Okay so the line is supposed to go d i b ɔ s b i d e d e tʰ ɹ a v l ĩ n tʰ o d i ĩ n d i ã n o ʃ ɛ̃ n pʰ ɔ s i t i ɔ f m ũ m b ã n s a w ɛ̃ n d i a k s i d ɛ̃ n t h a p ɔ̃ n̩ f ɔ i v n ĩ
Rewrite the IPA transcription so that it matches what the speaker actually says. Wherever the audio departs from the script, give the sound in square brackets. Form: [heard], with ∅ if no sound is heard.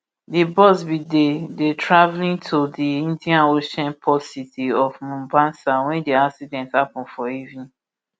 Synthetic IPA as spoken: d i b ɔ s b i d e d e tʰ ɹ a v l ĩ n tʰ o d i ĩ n d i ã n o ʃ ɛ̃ n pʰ ɔ s i t i ɔ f m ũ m b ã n s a w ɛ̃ n d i a k s i d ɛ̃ n t h a p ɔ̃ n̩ f ɔ i v n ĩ